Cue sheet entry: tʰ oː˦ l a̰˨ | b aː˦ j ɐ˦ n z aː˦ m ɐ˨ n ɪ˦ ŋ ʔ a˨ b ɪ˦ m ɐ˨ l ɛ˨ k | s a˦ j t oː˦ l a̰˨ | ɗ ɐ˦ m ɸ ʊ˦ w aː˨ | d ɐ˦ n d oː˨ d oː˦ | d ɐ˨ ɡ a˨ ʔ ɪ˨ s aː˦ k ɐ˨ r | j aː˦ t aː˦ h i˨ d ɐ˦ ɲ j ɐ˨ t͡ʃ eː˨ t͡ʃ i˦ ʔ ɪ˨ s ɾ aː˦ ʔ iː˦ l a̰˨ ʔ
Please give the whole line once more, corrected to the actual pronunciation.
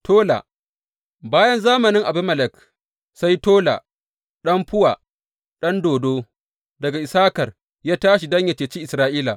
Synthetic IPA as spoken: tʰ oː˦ l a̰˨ | b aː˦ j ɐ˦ n z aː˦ m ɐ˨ n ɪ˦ ŋ ʔ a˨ b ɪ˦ m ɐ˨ l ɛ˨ k | s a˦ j t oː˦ l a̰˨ | ɗ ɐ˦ m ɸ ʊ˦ w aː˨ | ɗ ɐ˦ n d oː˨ d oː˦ | d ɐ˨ ɡ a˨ ʔ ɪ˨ s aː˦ k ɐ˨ r | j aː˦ t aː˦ ʃ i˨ d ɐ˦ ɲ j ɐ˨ t͡ʃ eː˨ t͡ʃ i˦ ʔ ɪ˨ s ɾ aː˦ ʔ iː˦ l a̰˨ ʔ